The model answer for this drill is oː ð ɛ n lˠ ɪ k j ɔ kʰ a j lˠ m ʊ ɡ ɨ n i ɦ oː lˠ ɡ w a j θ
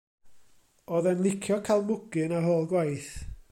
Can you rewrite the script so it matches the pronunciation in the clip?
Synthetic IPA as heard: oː ð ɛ n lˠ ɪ kʰ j ɔ kʰ a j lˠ m ʊ ɡ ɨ n a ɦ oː lˠ ɡ w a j θ